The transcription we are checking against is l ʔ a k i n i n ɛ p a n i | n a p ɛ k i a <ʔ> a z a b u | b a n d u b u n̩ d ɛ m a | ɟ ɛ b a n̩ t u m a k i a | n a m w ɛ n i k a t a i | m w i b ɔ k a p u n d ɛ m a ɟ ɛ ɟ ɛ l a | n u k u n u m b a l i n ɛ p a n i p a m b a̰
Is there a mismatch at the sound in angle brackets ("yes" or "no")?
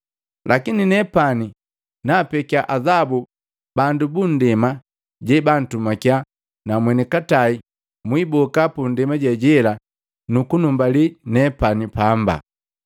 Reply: no